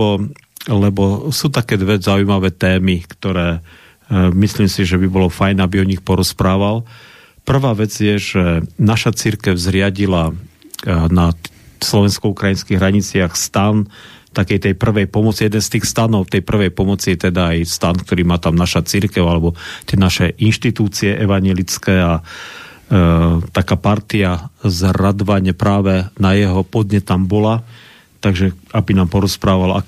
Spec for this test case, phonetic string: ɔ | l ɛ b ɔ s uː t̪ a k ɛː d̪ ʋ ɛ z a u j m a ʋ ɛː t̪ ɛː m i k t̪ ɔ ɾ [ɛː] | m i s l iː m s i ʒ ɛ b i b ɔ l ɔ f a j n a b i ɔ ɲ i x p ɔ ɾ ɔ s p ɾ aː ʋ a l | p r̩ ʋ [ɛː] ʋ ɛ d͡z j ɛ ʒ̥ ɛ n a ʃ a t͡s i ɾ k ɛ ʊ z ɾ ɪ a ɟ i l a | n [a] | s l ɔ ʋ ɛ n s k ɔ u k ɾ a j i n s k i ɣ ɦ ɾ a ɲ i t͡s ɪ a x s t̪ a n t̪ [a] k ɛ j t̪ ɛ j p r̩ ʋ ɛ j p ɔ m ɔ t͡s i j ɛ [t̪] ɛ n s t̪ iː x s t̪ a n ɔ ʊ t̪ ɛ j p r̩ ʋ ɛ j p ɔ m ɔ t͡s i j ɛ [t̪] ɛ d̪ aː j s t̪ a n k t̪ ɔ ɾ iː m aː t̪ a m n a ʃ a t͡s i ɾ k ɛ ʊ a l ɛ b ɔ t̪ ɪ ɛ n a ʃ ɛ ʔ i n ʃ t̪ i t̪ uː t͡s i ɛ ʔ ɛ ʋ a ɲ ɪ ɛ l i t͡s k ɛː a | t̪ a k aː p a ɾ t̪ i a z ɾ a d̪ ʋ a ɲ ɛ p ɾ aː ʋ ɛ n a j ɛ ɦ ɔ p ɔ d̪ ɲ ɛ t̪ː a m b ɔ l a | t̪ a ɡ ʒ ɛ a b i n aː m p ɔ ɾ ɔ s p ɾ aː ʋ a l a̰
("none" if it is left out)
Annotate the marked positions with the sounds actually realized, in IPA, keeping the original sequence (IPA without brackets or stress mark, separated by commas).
ɛː, aː, a, a, d̪, t̪